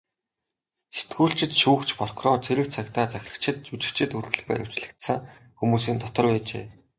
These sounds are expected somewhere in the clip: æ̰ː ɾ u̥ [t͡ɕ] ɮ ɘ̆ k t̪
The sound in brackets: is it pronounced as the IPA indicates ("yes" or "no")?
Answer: yes